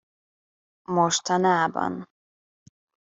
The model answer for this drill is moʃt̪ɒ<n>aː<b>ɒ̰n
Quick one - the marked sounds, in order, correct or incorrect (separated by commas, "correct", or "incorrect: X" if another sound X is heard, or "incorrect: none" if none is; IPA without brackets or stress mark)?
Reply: correct, correct